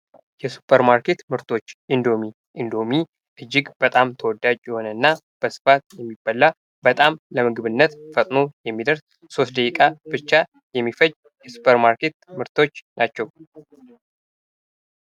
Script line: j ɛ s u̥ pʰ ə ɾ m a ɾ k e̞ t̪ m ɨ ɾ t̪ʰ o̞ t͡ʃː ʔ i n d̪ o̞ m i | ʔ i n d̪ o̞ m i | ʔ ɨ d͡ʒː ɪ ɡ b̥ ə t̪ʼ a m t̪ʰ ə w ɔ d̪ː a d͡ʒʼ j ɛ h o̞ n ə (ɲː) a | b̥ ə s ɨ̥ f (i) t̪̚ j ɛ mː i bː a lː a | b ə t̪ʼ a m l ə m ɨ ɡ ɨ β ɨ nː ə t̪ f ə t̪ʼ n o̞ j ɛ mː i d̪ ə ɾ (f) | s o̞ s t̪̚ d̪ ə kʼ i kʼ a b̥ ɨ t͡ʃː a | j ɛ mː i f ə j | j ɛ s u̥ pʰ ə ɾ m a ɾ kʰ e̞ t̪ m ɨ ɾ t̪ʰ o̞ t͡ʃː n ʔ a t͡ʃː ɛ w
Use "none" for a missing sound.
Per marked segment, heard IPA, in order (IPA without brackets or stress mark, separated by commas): nː, a, s